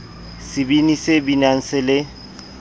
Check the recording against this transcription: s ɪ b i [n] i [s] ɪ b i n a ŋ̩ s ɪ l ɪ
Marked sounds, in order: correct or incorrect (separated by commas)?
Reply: correct, correct